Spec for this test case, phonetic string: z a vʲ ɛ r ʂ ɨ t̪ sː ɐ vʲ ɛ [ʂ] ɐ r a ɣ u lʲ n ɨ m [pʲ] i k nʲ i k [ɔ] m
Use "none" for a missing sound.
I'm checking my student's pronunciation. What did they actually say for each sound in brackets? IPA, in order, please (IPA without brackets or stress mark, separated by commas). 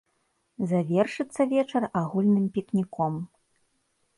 t͡ʂ, pʲ, ɔ